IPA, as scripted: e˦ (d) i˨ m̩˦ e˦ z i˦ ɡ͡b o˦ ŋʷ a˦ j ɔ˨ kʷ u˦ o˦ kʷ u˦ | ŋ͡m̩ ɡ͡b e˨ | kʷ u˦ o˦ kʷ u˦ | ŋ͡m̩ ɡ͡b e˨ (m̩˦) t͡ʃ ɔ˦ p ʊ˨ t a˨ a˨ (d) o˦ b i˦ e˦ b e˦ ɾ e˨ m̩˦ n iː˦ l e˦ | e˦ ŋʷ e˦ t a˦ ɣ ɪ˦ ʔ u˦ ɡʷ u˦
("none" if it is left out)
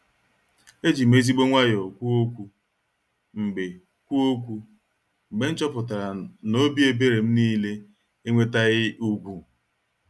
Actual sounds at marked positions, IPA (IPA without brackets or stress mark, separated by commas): d͡ʒ, n̩˦, n